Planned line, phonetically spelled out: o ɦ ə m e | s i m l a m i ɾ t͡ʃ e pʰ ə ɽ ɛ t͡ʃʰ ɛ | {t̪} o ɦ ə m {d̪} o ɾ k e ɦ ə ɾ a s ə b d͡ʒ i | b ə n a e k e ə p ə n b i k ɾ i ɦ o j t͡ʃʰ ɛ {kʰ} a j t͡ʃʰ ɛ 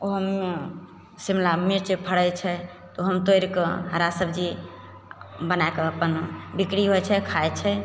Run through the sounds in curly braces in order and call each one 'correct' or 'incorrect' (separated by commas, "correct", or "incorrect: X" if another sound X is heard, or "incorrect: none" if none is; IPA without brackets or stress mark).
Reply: correct, incorrect: t̪, correct